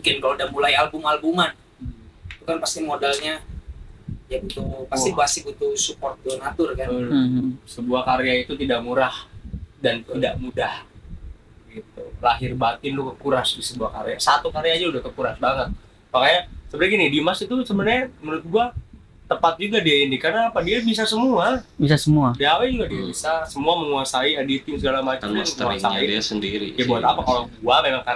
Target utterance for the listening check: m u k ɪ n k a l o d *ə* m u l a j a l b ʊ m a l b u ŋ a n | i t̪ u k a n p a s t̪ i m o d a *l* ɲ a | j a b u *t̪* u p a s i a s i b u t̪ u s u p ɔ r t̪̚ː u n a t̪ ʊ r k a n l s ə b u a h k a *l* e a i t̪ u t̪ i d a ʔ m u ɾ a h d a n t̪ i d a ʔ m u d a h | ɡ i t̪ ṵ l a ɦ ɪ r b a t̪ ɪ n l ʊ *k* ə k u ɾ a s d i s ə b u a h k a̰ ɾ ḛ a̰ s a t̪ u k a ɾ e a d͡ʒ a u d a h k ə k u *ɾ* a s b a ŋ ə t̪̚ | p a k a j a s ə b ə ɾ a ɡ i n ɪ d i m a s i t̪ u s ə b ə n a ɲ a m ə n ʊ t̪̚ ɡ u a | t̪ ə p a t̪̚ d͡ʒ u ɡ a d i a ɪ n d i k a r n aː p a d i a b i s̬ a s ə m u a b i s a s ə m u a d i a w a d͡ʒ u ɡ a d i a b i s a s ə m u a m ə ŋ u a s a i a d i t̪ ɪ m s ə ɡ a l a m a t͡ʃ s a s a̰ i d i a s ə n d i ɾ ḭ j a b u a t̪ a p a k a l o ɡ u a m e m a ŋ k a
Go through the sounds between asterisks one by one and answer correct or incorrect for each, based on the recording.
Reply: incorrect: a, correct, correct, incorrect: ɾ, correct, correct

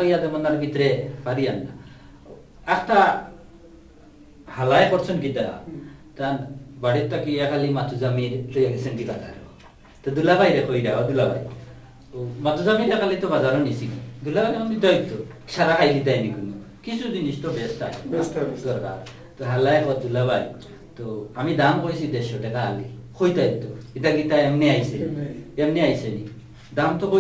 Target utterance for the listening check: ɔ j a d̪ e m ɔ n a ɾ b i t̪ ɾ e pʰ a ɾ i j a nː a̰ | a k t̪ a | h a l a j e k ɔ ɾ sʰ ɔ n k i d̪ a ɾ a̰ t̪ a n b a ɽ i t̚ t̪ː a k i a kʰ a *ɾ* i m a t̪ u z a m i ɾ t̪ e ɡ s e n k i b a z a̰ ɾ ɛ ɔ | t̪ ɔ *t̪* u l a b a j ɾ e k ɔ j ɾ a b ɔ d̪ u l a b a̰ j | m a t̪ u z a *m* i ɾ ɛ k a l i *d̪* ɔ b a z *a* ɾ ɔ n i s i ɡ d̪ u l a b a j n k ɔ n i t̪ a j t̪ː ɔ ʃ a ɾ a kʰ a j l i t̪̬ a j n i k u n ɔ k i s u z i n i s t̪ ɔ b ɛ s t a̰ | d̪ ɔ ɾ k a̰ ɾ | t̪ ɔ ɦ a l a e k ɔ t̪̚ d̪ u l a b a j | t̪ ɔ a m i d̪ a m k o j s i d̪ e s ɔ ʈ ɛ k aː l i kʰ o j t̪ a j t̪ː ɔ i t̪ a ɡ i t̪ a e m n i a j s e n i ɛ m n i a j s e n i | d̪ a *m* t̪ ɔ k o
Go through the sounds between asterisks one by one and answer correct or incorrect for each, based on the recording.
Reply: incorrect: l, incorrect: d̪, correct, incorrect: t̪, correct, correct

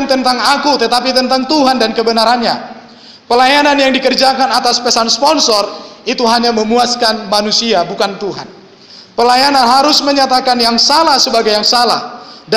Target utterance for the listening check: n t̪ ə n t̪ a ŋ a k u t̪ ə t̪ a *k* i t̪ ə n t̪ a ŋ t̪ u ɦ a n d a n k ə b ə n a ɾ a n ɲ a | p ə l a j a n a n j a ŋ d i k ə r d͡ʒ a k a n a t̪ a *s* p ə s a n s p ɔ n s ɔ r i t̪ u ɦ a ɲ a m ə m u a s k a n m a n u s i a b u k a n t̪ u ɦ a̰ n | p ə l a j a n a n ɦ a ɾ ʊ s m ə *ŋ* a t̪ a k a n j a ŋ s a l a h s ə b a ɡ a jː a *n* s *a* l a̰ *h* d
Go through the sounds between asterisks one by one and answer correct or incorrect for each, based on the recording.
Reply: incorrect: p, correct, incorrect: ɲ, incorrect: ŋ, correct, correct

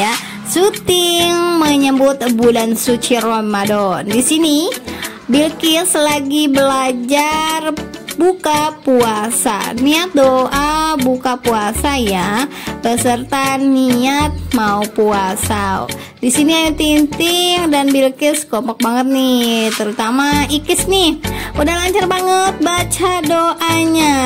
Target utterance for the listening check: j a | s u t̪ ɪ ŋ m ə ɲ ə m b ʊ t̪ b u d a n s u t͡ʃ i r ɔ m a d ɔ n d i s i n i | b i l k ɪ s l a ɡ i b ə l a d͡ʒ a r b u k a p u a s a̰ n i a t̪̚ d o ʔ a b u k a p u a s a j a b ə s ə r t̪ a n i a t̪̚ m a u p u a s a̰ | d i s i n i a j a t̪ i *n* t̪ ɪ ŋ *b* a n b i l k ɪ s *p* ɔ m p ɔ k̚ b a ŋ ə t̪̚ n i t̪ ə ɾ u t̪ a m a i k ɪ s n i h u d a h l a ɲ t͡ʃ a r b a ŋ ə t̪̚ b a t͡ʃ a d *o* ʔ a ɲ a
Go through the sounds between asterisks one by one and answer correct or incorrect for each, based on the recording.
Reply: correct, incorrect: d, incorrect: k, correct

